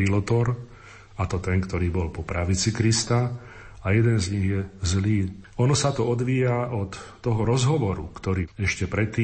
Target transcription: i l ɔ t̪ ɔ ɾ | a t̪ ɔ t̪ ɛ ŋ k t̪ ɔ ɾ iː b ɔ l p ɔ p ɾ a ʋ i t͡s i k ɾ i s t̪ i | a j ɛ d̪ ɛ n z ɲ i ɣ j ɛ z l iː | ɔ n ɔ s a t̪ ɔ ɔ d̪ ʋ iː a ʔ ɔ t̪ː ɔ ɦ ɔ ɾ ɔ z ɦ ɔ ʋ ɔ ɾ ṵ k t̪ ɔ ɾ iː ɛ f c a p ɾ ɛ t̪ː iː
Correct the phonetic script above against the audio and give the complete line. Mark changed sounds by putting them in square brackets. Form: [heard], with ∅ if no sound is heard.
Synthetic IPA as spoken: i l ɔ t̪ ɔ ɾ | a t̪ ɔ t̪ ɛ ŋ k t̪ ɔ ɾ iː b ɔ l p ɔ p ɾ a ʋ i t͡s i k ɾ i s t̪ [a] | a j ɛ d̪ ɛ n z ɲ i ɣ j ɛ z l iː | ɔ n ɔ s a t̪ ɔ ɔ d̪ ʋ iː a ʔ ɔ t̪ː ɔ ɦ ɔ ɾ ɔ z ɦ ɔ ʋ ɔ ɾ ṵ k t̪ ɔ ɾ iː ɛ [ʃ] c [ɛ] p ɾ ɛ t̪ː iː